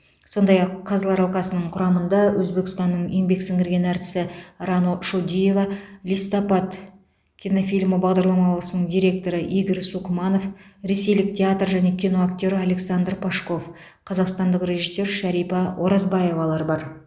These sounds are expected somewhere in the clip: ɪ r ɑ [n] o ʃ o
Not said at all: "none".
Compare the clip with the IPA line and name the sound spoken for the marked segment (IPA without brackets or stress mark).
n